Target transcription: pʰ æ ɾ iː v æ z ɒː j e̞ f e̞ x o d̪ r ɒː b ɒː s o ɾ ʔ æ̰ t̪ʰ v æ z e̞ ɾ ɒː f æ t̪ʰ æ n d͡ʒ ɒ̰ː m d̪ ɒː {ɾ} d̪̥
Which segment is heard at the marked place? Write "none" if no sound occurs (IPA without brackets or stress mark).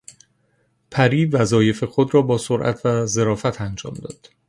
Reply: none